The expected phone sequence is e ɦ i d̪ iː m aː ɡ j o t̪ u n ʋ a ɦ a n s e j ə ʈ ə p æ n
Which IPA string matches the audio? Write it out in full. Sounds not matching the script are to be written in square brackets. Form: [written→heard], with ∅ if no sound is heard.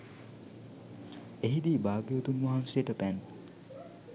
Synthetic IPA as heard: e ɦ i d̪ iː [m→b] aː ɡ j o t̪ u n ʋ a ɦ a n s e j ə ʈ ə p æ n